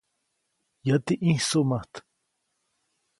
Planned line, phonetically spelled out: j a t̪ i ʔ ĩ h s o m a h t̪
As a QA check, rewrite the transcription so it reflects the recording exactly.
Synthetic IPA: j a t̪ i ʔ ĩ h s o m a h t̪